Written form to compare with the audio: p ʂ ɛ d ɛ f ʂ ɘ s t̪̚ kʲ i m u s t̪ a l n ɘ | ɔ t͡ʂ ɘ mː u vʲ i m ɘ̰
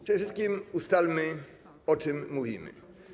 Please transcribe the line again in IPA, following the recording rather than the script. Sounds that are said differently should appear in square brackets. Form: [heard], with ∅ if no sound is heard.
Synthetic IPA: p ʂ ɛ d ɛ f ʂ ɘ s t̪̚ kʲ i m u s t̪ a l [m] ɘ | ɔ t͡ʂ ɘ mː u vʲ i m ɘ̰